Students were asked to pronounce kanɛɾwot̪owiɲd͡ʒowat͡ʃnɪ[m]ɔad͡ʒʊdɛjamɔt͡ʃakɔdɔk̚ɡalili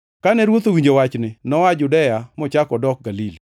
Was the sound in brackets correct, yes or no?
no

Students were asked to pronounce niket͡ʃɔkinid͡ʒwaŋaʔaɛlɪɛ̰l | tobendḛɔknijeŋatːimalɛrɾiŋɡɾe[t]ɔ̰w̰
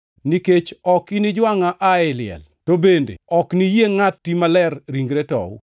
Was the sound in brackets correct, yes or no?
yes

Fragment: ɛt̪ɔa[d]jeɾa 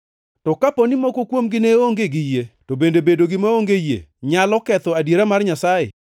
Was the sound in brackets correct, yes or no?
yes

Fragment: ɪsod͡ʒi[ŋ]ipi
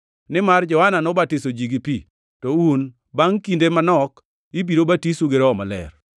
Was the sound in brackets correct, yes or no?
no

